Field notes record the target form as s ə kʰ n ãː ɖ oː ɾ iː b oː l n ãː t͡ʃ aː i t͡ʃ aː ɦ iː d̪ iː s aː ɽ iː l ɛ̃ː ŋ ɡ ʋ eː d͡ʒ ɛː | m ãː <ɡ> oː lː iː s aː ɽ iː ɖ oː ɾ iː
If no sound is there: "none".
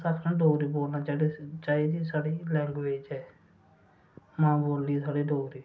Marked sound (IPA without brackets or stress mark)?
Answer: b